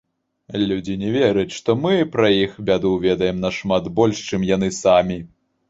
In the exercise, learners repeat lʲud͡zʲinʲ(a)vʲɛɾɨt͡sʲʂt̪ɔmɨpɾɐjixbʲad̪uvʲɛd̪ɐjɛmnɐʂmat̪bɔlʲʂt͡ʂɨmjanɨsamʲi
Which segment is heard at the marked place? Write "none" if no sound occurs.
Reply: ɛ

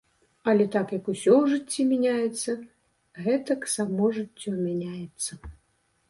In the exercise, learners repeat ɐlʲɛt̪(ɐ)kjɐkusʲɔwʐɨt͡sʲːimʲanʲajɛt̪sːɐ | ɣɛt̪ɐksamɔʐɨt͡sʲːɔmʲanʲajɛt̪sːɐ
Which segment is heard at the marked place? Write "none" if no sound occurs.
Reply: a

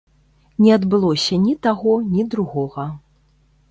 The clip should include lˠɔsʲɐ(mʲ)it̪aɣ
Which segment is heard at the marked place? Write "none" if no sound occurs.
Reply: nʲ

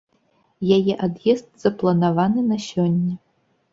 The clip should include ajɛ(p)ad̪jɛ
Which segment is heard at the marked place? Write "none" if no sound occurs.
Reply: ʔ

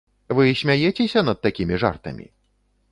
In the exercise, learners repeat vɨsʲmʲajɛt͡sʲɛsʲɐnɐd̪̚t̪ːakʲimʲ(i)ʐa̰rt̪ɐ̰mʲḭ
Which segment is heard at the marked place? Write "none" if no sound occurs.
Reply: i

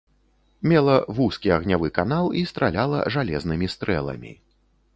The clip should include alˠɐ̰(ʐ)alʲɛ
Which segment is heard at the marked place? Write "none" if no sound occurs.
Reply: ʐ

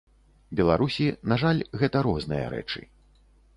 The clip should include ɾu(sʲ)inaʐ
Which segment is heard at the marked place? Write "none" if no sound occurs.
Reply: sʲ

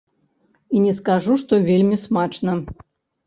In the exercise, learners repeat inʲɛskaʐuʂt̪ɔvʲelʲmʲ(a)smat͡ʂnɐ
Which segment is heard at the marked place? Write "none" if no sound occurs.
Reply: i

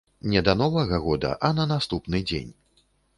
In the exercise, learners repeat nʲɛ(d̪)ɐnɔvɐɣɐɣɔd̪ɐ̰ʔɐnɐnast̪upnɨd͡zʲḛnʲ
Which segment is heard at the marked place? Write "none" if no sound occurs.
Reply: d̪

